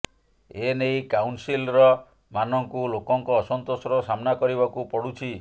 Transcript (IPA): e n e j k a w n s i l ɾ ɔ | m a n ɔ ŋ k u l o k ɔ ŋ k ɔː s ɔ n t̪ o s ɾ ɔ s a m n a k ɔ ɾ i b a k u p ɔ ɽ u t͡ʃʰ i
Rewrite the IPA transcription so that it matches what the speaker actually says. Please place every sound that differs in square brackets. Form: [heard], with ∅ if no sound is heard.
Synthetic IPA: e n e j k a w n s i l ɾ ɔ | m a n ɔ ŋ k u l o k ɔ ŋ k ɔː s ɔ n t̪ o s ɾ ɔ s a m n a k ɔ ɾ i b a k u p ɔ ɽ u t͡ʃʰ i